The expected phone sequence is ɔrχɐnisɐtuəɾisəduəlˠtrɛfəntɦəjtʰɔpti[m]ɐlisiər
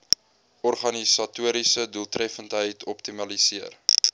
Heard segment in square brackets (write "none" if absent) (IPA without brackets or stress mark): m